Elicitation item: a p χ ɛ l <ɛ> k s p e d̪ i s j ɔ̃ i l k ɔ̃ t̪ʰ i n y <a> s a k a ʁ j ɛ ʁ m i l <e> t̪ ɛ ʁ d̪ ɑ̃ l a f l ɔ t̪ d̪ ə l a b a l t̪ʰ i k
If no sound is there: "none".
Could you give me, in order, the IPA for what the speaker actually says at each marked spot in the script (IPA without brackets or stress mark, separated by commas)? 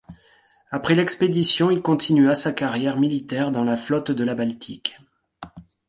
ɛ, a, i